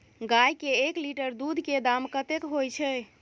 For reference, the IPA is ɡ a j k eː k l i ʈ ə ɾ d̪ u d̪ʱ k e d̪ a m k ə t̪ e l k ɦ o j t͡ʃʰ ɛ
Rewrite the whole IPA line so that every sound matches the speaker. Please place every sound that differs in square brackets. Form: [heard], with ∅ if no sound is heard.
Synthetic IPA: ɡ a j k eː k l i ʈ ə ɾ d̪ u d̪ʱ k e d̪ a m k ə t̪ e [∅] k ɦ o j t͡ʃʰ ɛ